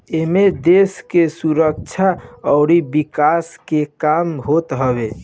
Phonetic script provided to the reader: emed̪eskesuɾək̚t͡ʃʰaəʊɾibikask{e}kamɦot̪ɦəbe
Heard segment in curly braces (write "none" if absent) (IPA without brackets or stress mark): e